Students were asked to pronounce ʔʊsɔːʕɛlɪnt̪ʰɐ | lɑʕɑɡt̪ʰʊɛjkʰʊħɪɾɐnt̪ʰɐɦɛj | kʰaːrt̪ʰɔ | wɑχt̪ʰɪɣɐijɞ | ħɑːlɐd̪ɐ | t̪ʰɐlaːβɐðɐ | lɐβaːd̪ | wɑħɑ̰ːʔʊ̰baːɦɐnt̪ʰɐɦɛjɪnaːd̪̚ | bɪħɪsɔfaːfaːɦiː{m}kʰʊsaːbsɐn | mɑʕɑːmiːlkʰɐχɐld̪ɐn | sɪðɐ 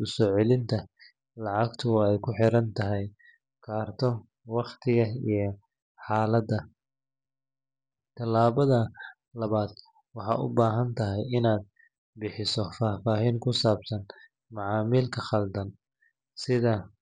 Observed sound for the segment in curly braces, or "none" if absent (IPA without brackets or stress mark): ŋ